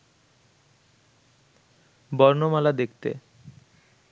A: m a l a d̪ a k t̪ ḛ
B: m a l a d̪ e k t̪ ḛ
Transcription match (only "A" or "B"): B